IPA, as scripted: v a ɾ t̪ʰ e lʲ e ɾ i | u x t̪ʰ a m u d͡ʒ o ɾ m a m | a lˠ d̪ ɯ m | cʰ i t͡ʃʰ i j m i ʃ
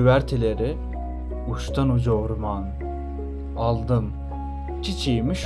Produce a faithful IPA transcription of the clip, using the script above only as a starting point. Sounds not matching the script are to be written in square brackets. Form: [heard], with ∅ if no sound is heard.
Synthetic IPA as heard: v [æ] ɾ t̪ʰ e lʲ e ɾ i | u [ʃ] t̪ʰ a [n] u d͡ʒ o ɾ m a [n] | a lˠ d̪ ɯ m | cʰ i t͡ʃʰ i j m i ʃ